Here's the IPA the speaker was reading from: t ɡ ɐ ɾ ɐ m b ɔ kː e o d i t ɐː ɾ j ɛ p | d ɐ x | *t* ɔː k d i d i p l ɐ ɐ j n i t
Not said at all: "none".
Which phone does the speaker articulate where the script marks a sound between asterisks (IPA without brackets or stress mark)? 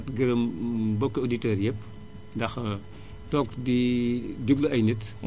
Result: t